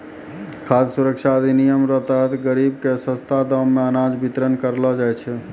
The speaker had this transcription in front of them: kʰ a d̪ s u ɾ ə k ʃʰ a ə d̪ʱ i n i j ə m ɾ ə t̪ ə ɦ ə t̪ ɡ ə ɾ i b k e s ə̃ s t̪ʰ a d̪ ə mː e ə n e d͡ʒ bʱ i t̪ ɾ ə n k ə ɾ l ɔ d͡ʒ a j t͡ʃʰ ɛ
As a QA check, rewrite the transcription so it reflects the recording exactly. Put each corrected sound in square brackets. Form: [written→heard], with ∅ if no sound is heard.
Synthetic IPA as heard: kʰ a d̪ s u ɾ ə k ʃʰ a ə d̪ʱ i n i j ə m ɾ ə t̪ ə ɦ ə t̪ ɡ ə ɾ i b k e s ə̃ s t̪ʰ a d̪ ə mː e ə n [e→a] d͡ʒ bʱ i t̪ ɾ ə n k ə ɾ l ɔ d͡ʒ a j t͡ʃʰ ɛ